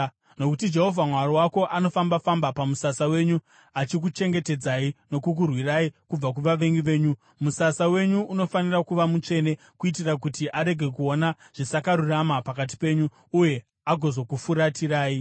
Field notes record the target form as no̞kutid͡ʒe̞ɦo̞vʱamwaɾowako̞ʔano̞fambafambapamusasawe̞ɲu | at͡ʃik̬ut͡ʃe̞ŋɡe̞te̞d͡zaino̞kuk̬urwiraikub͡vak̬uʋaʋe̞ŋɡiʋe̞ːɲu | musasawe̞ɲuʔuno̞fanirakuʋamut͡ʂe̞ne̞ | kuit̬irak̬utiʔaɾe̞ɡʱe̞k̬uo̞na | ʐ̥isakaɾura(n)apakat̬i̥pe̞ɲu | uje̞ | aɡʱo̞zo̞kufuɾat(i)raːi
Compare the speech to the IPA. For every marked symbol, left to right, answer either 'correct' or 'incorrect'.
incorrect: m, correct

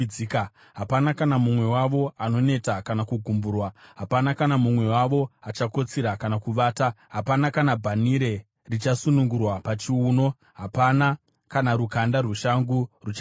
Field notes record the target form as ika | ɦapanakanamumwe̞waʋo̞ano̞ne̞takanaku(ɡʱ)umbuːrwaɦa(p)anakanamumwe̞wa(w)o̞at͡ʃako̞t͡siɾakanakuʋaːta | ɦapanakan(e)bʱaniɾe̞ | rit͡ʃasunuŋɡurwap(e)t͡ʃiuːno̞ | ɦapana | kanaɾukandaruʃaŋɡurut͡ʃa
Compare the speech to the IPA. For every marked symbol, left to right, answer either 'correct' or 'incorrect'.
correct, correct, incorrect: ʋ, incorrect: a, incorrect: a

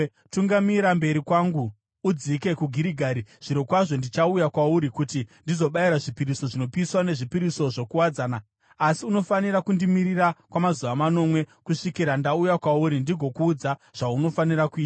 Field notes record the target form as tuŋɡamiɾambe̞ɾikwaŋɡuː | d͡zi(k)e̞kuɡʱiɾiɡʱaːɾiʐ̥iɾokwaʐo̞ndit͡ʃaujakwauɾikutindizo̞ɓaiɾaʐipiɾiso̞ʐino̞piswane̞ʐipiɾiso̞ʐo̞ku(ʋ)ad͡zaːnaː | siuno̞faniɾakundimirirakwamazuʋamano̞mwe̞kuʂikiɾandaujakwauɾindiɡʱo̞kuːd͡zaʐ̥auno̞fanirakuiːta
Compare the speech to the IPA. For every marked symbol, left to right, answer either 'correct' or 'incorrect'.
correct, incorrect: w

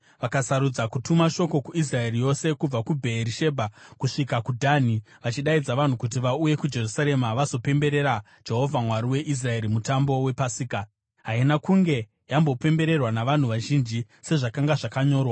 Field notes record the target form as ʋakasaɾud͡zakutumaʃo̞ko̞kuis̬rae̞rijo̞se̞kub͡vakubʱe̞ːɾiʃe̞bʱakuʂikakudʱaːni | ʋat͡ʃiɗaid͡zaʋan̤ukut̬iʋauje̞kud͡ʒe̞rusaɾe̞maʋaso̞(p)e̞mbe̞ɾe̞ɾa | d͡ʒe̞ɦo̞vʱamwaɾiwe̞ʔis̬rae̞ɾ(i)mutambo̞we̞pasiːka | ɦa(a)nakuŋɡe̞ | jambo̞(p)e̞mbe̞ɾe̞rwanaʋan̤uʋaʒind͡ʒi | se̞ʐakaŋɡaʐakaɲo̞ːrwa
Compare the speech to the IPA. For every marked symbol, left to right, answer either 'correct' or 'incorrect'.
correct, correct, incorrect: i, correct

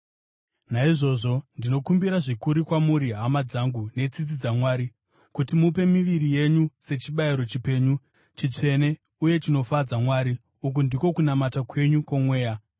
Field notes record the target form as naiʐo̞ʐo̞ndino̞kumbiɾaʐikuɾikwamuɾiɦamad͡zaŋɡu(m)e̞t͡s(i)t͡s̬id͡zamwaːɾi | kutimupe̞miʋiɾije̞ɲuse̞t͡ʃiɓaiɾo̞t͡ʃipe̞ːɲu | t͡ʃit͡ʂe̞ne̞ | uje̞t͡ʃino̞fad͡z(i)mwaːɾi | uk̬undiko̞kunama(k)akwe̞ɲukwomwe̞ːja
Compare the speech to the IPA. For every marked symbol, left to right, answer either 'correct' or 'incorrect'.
incorrect: n, correct, incorrect: a, incorrect: t

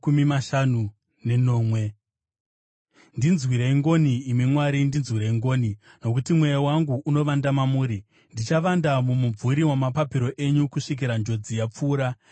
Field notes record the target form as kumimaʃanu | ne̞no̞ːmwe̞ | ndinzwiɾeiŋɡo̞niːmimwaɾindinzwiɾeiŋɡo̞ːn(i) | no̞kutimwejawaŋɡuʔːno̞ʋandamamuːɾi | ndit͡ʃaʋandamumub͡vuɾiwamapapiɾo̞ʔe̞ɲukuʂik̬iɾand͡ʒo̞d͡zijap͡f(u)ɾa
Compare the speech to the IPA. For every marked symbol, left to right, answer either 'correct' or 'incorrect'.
correct, incorrect: uː

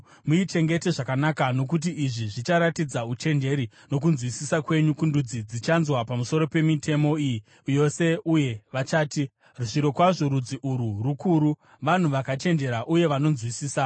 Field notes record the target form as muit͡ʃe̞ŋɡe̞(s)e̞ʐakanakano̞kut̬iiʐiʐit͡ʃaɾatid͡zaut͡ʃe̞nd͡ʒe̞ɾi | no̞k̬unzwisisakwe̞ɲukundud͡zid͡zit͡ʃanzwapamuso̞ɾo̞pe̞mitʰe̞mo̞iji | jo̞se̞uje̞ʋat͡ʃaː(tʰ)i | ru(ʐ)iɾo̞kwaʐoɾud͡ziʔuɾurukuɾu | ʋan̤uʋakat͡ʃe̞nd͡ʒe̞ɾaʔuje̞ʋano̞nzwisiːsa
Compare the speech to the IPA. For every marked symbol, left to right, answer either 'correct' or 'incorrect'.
incorrect: t, incorrect: t, correct

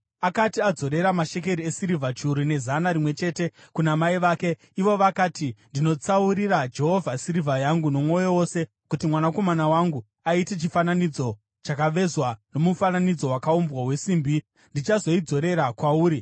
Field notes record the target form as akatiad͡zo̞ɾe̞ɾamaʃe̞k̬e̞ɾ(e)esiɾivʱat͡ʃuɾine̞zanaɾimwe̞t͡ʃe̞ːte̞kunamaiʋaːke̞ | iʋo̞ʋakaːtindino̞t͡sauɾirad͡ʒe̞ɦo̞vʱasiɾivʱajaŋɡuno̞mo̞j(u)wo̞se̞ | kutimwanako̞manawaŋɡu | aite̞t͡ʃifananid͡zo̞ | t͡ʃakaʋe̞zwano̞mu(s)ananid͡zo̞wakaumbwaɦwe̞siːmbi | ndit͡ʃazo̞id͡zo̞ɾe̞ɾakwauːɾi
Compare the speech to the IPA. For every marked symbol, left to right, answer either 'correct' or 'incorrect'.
incorrect: i, incorrect: o, incorrect: f

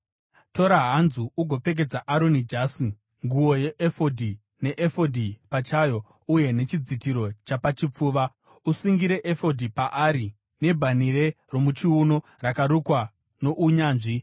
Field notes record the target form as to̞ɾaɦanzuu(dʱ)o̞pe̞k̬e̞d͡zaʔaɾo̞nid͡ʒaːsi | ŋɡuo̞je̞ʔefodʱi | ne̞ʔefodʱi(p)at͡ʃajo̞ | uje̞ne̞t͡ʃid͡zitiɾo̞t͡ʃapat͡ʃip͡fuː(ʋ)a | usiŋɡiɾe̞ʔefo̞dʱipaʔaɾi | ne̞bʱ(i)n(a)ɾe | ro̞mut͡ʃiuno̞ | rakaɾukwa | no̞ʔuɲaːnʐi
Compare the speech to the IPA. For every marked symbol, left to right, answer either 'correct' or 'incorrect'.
incorrect: ɡʱ, correct, correct, incorrect: a, incorrect: i

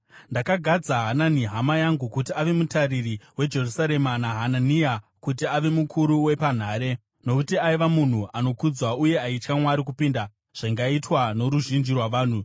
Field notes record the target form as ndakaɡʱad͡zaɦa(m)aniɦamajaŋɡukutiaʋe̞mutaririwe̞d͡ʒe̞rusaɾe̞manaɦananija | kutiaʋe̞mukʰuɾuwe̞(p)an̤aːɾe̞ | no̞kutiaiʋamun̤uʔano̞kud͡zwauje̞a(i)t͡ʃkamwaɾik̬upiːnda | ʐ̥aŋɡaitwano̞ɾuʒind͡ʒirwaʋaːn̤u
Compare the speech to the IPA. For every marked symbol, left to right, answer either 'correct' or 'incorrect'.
incorrect: n, correct, correct

